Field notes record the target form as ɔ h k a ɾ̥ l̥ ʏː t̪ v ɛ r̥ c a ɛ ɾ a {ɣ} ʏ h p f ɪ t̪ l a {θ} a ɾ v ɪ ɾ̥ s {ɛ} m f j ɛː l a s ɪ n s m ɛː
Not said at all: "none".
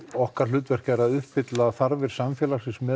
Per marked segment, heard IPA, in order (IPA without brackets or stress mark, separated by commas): ð, θ, a